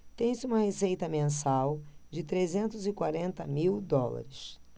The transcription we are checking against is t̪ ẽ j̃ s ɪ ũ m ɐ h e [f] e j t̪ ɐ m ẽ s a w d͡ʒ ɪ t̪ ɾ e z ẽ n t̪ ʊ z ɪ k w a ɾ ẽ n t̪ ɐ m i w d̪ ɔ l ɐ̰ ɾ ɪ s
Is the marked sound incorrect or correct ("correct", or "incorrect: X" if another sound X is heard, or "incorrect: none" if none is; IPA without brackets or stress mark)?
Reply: incorrect: s